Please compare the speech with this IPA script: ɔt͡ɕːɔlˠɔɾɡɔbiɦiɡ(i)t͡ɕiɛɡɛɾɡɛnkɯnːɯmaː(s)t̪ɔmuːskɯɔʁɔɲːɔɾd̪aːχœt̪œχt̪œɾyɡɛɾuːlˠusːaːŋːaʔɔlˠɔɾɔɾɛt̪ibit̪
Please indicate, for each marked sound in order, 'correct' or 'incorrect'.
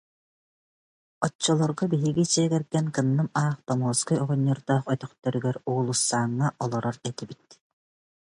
correct, incorrect

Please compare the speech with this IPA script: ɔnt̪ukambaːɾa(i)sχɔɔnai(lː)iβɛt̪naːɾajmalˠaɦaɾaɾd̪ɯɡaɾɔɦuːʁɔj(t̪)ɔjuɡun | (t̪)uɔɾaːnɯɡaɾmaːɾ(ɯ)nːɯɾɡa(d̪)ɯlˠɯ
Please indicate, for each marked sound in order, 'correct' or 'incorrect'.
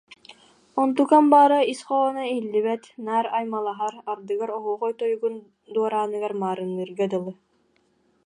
correct, correct, correct, incorrect, correct, correct

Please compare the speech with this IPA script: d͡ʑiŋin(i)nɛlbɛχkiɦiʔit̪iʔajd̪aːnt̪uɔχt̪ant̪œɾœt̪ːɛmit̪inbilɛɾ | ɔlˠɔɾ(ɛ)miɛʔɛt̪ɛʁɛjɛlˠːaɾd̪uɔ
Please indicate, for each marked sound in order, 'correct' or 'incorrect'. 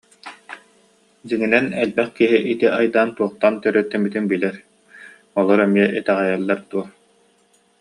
incorrect, correct

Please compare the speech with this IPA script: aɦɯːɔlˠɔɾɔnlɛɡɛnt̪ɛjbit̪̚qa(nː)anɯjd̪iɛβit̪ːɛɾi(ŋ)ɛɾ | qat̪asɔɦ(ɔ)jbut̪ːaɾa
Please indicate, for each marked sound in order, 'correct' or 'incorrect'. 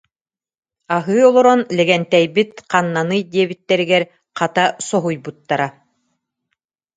correct, incorrect, incorrect

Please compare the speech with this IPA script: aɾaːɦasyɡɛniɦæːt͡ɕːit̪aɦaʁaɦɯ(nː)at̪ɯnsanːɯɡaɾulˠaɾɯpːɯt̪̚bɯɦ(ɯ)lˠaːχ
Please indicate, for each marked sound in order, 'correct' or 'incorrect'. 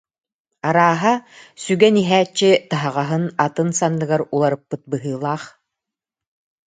incorrect, incorrect

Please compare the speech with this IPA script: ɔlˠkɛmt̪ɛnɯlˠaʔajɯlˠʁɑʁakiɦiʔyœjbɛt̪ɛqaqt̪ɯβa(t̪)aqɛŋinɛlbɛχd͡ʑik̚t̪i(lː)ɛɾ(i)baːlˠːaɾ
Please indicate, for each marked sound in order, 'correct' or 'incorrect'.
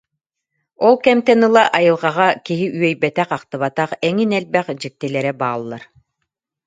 correct, incorrect, incorrect

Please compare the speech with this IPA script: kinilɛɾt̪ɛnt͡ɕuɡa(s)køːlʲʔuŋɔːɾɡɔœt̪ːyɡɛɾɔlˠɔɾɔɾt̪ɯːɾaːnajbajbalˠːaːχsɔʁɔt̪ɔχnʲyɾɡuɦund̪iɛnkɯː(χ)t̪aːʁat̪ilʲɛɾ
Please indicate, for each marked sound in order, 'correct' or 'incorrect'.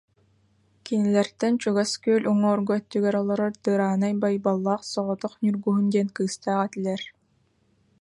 correct, incorrect

